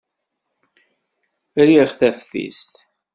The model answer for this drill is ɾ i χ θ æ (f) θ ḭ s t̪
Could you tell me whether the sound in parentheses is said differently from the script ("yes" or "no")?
no